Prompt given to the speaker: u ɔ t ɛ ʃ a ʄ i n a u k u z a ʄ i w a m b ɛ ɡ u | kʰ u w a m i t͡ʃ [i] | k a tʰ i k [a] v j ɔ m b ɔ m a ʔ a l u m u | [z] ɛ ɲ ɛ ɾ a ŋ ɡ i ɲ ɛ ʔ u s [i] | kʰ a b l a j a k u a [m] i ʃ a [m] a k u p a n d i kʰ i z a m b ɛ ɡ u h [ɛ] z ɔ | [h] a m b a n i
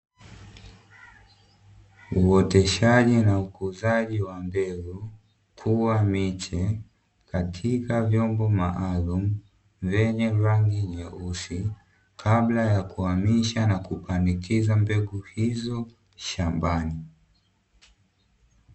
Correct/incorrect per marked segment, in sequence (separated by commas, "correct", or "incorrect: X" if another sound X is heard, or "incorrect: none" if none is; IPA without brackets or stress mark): incorrect: ɛ, correct, incorrect: v, correct, correct, incorrect: n, incorrect: i, incorrect: ʃ